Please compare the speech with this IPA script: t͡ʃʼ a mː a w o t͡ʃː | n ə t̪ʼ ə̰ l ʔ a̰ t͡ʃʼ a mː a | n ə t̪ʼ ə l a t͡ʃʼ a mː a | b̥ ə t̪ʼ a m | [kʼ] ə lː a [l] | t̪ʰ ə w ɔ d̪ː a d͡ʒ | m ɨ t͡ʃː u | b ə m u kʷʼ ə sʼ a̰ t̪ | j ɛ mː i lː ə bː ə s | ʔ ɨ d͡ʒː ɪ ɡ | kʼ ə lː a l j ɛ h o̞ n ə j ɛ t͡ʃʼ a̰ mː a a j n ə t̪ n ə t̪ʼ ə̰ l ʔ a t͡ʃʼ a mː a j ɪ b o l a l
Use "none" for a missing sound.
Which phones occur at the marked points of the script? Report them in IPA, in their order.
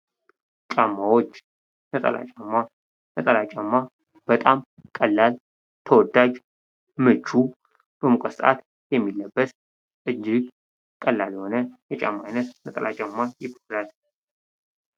kʼ, l

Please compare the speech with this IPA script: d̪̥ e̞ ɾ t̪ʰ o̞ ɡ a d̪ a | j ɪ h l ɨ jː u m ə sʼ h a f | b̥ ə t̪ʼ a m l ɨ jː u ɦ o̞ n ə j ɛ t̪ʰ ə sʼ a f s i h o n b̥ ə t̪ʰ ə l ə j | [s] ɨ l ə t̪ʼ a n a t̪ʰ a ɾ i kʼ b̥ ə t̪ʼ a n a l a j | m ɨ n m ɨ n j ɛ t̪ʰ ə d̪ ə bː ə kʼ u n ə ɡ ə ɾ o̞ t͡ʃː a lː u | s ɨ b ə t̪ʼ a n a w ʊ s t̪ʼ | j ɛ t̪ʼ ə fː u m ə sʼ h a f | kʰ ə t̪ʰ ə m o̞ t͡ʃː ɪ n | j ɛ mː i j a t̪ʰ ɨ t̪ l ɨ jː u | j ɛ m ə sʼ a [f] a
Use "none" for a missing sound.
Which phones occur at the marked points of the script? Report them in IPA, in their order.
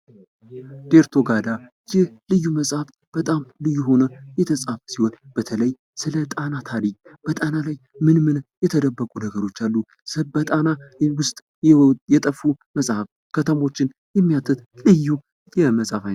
s, f

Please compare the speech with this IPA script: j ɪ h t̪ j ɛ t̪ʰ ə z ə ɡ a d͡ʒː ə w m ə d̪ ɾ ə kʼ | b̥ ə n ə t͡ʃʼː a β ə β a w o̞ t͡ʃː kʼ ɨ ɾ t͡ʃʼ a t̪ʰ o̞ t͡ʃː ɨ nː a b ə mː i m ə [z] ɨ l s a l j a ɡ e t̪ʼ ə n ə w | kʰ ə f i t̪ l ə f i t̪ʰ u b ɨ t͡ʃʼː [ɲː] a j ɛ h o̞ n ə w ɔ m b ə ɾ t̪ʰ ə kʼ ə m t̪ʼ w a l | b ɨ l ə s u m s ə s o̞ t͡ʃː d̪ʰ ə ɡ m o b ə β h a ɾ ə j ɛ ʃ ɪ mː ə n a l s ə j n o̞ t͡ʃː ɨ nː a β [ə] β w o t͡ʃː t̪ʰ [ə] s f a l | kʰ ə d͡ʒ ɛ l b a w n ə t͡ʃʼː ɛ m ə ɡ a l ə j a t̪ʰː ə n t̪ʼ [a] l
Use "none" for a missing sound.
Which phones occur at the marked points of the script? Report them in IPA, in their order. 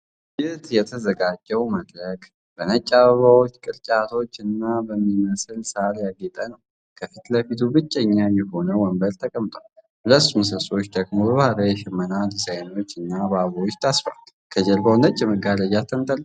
s, ɲː, a, a, ə

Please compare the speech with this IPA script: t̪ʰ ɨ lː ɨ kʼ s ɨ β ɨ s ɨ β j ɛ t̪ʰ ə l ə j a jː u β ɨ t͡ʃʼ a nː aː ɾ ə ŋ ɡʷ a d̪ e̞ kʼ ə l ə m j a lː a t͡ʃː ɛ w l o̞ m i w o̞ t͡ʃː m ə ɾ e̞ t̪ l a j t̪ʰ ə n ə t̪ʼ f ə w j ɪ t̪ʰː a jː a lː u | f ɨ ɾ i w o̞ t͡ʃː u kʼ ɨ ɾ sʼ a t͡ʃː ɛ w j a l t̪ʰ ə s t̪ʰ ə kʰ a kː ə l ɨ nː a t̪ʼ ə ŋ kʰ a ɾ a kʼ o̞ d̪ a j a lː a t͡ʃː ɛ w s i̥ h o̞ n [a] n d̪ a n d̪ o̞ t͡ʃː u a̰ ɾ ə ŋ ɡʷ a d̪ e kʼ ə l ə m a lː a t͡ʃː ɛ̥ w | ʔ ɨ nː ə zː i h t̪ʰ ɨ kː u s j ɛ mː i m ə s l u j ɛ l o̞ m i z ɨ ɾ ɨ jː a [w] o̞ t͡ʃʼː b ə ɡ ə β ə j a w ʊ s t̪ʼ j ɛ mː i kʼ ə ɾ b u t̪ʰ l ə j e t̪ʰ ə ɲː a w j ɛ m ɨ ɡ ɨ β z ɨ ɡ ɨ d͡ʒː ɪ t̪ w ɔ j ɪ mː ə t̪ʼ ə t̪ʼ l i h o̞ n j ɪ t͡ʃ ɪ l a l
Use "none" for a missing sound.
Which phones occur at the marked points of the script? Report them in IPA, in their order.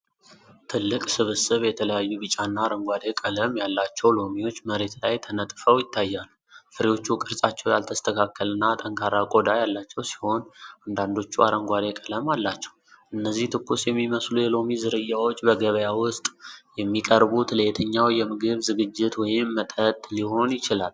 a, w

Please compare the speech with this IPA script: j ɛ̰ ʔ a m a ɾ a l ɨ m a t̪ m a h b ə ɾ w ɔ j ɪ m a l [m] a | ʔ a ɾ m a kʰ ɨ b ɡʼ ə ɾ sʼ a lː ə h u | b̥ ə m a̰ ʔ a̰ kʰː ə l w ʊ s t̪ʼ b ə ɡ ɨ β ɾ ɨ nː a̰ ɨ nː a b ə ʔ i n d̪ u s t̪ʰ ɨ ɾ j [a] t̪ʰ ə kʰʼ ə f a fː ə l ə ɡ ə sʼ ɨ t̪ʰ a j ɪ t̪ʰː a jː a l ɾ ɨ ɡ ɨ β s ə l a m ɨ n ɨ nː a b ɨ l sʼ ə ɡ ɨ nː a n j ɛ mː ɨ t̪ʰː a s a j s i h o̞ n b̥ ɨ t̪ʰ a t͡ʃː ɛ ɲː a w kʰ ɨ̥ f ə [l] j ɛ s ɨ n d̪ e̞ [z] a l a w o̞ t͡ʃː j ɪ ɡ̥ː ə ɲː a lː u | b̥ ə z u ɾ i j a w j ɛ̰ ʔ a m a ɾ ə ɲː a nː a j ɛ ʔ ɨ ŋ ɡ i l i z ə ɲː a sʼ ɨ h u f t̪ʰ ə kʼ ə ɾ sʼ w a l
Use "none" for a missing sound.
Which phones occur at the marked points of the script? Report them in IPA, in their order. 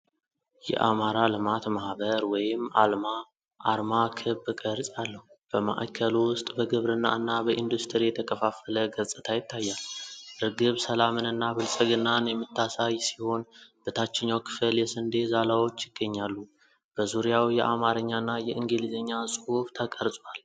m, ɛ, l, z

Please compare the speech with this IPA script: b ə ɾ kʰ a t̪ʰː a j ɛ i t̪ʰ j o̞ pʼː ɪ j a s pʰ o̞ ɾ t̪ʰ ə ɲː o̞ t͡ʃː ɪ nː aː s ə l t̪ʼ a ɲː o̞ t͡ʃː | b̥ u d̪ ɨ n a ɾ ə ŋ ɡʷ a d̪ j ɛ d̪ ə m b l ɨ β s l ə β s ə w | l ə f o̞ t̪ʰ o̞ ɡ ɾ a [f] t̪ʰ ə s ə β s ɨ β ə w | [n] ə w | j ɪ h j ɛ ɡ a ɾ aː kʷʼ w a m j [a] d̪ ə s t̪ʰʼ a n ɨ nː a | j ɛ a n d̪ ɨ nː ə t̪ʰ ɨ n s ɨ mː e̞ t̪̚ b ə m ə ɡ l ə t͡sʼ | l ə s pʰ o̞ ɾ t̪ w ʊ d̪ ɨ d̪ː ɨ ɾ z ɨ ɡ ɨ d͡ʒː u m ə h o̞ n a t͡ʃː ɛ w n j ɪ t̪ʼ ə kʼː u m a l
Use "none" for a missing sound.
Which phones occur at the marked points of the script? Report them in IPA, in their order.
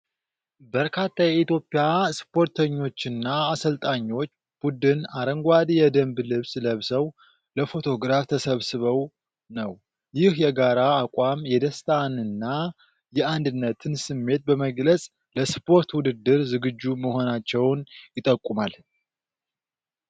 f, n, ɛ

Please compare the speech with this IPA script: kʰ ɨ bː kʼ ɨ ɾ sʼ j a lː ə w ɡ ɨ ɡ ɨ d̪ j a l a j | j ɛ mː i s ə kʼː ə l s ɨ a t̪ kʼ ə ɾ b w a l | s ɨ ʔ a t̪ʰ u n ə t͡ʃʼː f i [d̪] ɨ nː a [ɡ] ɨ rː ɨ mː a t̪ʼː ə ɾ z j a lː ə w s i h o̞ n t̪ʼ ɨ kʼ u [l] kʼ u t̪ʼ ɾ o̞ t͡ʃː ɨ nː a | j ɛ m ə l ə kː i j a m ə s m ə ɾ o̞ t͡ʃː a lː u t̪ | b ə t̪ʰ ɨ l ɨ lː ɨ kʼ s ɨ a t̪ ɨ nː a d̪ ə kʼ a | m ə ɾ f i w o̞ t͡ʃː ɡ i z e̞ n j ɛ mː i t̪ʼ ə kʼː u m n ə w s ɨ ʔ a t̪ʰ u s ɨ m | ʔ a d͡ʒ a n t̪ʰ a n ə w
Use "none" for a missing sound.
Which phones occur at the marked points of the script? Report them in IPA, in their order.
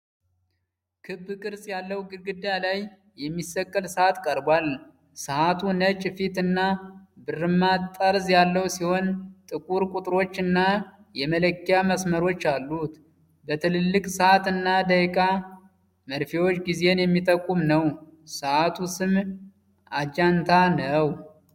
t̪, b, ɾ

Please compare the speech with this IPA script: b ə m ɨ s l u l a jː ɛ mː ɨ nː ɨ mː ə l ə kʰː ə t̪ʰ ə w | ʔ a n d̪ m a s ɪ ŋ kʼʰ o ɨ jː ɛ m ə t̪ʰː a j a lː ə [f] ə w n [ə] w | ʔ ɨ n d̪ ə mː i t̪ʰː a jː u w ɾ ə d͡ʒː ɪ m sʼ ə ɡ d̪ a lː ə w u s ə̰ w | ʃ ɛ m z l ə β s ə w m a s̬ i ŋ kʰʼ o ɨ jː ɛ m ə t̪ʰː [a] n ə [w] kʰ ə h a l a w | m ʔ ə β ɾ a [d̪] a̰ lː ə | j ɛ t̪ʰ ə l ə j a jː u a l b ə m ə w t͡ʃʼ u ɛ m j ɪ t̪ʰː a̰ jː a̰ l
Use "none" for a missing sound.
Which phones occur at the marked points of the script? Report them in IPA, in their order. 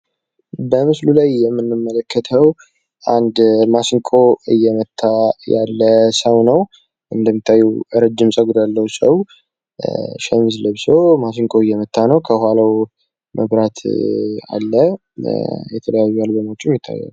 s, ə, a, w, t̪

